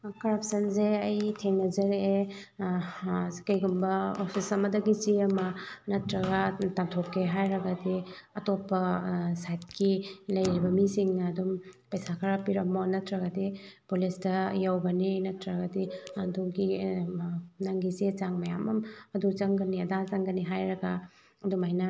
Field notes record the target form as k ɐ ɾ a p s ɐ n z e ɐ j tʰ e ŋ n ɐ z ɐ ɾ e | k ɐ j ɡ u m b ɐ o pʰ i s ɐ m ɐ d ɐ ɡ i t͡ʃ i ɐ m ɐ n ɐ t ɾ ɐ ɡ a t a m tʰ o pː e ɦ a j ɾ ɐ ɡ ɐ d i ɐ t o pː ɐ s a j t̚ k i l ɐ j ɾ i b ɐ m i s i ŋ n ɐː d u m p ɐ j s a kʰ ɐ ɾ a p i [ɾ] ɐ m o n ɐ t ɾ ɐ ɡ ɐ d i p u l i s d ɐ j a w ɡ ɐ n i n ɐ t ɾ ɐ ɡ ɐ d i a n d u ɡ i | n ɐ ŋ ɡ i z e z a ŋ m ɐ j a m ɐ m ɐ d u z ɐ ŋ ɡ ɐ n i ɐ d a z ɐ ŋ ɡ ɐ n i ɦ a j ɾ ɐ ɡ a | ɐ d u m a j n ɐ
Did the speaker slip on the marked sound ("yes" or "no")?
no